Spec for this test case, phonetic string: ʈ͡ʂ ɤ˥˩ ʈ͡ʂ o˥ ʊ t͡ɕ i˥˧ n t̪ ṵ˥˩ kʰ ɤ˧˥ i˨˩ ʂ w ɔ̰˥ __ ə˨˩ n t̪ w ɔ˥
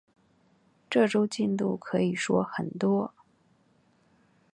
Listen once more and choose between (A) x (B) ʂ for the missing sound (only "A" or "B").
A